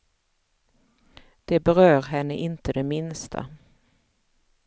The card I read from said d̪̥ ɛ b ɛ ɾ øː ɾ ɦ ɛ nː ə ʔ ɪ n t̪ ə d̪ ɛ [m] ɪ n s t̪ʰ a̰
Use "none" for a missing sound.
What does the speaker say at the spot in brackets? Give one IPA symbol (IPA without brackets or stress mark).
m